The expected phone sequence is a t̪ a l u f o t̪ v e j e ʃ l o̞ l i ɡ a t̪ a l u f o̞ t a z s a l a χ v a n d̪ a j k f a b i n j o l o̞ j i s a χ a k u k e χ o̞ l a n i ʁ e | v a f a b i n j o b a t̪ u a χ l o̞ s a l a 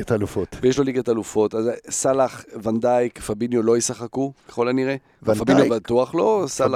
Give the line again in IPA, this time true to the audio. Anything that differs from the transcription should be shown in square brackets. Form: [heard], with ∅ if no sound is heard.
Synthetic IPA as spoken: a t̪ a l u f o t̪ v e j e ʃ l o̞ l i ɡ a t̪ a l u f o̞ t a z s a l a χ v a n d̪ a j k f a b i n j o l o̞ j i s a χ a k u k e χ o̞ l a n i ʁ e | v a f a b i n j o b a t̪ u a χ l o̞ s a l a